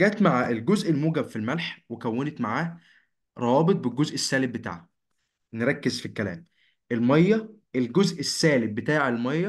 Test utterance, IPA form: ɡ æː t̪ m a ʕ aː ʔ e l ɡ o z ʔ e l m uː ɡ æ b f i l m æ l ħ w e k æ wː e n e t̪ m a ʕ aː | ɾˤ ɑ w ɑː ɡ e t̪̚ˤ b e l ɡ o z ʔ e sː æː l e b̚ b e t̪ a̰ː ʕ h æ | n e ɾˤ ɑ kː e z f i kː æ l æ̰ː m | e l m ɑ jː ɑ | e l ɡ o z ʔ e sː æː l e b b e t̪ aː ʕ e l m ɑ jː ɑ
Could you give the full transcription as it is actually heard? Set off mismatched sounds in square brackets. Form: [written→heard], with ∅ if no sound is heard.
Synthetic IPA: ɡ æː t̪ m a ʕ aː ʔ e l ɡ o z ʔ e l m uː ɡ æ b f i l m æ l ħ w e k æ wː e n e t̪ m a ʕ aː | ɾˤ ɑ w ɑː [ɡ→b] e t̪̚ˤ b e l ɡ o z ʔ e sː æː l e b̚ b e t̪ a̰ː ʕ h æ | n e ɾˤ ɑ kː e z f i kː æ l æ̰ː m | e l m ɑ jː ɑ | e l ɡ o z ʔ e sː æː l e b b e t̪ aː ʕ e l m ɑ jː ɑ